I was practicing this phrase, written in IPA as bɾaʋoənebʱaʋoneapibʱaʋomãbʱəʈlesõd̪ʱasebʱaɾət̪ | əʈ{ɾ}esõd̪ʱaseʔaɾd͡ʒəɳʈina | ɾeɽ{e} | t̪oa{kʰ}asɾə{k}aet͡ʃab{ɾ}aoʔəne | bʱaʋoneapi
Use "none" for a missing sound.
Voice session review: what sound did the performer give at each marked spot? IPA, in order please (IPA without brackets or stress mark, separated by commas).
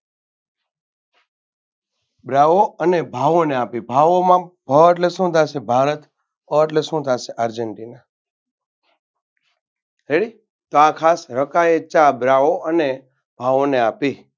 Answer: l, i, kʰ, k, ɾ